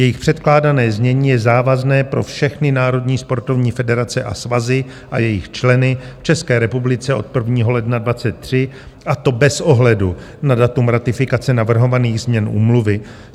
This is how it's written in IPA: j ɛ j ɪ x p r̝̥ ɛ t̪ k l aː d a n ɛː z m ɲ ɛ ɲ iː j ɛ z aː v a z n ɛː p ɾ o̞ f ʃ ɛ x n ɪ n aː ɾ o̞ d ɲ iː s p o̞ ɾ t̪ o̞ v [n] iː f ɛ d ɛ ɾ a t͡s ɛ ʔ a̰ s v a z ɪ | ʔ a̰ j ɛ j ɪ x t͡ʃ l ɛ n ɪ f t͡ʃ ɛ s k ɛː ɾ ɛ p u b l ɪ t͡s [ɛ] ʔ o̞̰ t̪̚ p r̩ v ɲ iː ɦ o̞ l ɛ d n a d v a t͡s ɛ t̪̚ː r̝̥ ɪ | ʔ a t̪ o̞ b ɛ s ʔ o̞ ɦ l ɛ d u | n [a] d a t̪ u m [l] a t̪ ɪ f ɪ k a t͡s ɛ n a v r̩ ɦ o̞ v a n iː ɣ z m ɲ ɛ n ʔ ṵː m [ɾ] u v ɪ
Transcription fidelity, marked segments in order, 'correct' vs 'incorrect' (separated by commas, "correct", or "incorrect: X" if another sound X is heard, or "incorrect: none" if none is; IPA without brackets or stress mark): incorrect: ɲ, correct, correct, incorrect: ɾ, incorrect: l